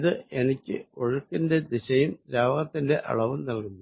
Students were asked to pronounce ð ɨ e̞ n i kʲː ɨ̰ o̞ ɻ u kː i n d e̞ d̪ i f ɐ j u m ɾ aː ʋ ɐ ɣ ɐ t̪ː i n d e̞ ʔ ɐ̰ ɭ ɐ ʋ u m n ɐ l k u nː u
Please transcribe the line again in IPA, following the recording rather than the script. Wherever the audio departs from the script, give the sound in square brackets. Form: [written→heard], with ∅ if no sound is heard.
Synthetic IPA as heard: ð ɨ e̞ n i kʲː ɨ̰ o̞ ɻ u kː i n d e̞ d̪ i [f→ɕ] ɐ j u m ɾ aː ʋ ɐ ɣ ɐ t̪ː i n d e̞ ʔ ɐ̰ ɭ ɐ ʋ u m n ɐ l k u nː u